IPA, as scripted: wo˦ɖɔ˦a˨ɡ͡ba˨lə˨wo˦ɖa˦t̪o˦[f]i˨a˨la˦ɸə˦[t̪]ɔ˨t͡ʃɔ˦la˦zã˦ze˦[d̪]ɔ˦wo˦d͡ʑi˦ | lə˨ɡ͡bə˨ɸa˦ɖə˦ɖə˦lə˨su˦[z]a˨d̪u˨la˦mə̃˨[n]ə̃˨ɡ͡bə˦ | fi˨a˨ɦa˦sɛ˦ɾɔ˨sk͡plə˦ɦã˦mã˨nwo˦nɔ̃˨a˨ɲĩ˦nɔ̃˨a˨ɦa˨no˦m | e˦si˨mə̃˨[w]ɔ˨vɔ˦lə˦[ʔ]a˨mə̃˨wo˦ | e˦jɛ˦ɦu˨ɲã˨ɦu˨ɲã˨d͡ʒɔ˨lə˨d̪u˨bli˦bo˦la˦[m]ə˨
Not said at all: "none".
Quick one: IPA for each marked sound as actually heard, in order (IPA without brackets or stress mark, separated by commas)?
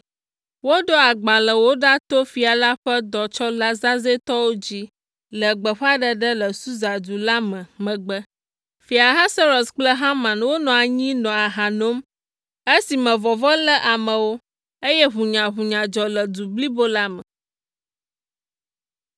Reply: f, d̪, t̪, z, m, v, ʔ, m